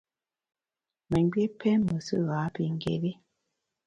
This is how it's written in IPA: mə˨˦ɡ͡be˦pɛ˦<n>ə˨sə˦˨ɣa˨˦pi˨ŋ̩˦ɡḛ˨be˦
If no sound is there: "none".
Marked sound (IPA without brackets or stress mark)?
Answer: m